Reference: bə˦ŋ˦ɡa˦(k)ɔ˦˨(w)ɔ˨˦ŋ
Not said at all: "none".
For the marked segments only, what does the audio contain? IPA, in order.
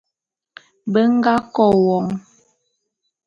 k, w

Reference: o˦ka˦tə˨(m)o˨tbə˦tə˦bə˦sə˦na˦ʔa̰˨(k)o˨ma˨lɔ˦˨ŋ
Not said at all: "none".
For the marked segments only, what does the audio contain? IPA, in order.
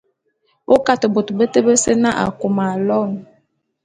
b, k

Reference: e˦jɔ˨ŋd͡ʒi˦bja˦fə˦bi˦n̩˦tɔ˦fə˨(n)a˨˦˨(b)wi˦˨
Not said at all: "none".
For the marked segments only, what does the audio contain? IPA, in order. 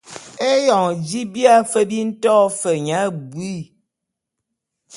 ɲ, b

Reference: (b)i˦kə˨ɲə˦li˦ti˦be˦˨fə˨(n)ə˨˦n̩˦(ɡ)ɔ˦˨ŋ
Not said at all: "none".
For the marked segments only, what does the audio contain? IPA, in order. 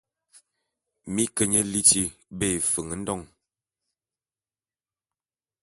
m, ŋ, d

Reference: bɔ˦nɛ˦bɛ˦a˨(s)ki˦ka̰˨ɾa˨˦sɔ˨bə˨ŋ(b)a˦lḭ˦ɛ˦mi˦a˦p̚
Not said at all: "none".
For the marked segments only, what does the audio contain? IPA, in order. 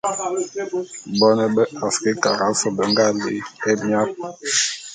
s, ɡ

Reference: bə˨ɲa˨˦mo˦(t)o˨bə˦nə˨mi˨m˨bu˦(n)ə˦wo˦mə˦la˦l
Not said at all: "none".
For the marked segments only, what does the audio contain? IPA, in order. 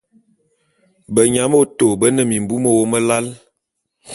t, m

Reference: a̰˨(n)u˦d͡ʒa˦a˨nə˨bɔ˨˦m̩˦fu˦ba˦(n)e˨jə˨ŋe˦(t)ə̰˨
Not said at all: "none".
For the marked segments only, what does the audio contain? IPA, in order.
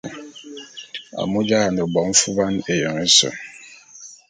m, n, s

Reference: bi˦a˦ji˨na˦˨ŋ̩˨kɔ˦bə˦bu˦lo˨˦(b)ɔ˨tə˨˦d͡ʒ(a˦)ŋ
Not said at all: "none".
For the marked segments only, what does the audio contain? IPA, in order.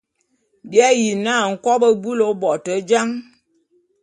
b, a˦

